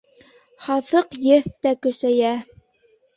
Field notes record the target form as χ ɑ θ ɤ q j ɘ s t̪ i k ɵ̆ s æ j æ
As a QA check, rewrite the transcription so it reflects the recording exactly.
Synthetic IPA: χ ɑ θ ɤ q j ɘ θ t̪ æ k ɵ̆ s æ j æ